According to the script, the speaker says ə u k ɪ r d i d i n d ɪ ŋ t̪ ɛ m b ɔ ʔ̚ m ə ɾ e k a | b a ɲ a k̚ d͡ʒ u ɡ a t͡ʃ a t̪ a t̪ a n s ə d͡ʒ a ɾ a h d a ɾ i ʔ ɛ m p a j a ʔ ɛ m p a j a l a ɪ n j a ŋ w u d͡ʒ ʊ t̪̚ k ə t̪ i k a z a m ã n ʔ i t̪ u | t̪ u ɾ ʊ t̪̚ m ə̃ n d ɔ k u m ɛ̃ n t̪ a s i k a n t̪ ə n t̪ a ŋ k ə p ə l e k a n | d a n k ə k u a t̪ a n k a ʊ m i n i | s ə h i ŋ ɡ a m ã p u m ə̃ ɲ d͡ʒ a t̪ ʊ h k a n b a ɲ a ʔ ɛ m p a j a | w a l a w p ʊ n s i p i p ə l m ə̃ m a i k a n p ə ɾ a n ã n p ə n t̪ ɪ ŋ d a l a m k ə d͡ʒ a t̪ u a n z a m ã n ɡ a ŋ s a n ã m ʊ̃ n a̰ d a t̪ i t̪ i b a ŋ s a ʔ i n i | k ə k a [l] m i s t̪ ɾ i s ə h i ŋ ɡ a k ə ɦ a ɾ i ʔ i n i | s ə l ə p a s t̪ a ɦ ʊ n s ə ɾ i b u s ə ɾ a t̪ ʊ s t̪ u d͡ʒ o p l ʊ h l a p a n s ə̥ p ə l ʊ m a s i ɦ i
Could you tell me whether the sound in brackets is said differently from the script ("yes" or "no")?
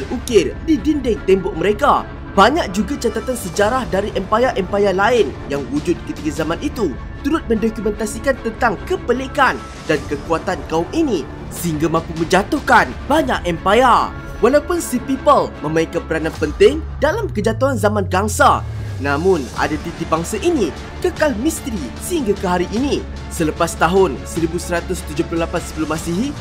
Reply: no